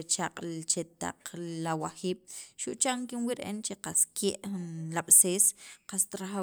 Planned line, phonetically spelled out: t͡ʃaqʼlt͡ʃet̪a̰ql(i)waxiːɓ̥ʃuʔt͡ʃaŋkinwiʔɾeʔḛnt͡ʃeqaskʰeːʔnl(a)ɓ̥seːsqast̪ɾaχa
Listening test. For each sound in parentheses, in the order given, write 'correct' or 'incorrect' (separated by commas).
incorrect, correct